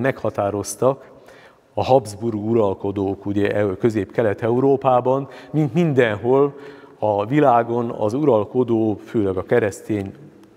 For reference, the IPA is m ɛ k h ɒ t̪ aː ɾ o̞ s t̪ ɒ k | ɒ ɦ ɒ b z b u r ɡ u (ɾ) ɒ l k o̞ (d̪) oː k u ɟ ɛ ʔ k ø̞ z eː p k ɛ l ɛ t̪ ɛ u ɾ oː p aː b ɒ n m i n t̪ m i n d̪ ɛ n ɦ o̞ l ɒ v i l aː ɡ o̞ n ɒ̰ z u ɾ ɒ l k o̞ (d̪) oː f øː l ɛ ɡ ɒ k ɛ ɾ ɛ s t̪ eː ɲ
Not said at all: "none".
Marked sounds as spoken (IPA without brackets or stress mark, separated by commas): ɾ, d̪, d̪